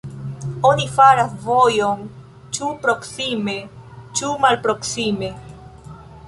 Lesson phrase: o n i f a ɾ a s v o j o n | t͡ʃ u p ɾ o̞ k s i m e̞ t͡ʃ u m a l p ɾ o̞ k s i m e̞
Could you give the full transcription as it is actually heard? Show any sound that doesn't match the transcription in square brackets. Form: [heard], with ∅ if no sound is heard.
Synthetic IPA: o n i f a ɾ a s v o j o n | t͡ʃ u p ɾ o̞ k s i m e̞ t͡ʃ u m a l p ɾ o̞ k s i m e̞